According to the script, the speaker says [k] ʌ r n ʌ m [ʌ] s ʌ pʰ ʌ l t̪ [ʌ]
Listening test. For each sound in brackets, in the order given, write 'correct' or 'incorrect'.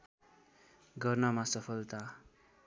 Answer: incorrect: ɡ, incorrect: a, incorrect: a

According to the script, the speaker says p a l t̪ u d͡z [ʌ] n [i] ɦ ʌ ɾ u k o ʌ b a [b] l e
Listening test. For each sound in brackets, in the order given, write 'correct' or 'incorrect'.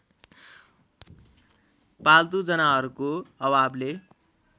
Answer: correct, incorrect: a, correct

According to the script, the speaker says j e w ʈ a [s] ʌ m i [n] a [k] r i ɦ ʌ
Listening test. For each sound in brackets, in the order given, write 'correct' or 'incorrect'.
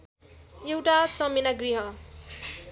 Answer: incorrect: t͡s, correct, incorrect: ɡ

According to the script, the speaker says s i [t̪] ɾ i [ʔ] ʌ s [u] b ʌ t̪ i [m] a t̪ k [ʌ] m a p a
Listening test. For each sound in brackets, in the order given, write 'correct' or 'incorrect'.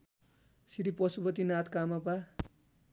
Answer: incorrect: none, incorrect: p, correct, incorrect: n, incorrect: a

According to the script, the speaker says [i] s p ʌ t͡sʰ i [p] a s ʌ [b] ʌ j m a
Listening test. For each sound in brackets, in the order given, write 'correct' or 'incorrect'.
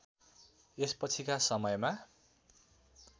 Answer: incorrect: e, incorrect: k, incorrect: m

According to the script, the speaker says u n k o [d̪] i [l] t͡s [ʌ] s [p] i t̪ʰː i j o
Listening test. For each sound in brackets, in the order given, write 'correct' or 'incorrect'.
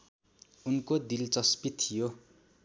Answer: correct, correct, correct, correct

